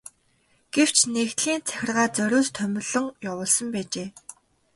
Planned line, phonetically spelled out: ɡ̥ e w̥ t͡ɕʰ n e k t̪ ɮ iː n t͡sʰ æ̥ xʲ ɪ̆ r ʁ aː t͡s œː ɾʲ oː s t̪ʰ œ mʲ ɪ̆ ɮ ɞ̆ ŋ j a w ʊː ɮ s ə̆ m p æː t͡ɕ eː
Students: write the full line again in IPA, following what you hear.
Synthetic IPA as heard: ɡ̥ e w̥ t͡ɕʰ n e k t̪ ɮ iː n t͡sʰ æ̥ xʲ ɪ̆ r ʁ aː t͡s œ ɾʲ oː s t̪ʰ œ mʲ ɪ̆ ɮ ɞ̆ ŋ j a w ʊː ɮ s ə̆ m p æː t͡ɕ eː